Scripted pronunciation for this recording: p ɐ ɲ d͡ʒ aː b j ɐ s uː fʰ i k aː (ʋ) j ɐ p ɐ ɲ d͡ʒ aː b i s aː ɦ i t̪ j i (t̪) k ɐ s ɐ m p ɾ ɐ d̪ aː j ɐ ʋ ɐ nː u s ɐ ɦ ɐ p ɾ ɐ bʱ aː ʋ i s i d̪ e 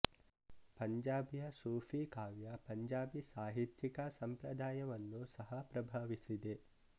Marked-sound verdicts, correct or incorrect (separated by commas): correct, incorrect